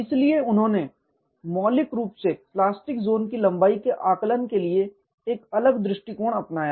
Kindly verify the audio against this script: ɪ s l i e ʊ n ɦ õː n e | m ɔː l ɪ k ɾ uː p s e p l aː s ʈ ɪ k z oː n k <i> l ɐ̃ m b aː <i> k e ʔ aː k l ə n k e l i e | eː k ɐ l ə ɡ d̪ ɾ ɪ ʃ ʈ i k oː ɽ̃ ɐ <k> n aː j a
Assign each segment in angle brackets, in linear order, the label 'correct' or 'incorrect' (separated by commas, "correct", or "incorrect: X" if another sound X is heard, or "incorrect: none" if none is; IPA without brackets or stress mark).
correct, correct, incorrect: p